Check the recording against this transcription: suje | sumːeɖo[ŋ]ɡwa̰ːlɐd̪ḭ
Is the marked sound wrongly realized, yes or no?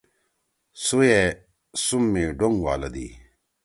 no